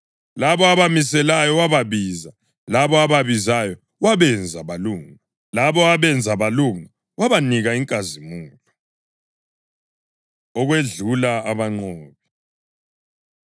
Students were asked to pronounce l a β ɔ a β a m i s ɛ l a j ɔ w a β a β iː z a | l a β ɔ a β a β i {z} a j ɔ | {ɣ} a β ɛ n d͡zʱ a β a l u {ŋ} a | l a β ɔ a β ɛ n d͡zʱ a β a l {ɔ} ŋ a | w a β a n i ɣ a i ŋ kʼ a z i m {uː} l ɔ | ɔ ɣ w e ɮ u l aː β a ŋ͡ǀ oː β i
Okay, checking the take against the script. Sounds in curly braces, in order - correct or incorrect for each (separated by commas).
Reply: correct, incorrect, correct, incorrect, correct